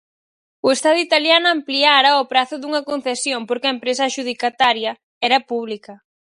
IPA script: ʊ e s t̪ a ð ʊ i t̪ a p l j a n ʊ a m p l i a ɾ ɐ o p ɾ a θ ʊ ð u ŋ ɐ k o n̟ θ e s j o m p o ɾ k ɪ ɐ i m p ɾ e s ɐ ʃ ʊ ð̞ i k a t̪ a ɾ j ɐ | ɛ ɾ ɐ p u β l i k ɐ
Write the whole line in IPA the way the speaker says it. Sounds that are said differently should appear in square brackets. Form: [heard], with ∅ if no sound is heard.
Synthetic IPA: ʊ e s t̪ a ð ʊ i t̪ a [∅] l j a n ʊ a m p l i a ɾ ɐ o p ɾ a θ ʊ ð u ŋ ɐ k o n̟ θ e s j o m p o ɾ k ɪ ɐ [e] m p ɾ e s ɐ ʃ [u] ð̞ i k a t̪ a ɾ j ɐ | ɛ ɾ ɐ p u β l i k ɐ